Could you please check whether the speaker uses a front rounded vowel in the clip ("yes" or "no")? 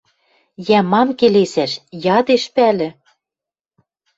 no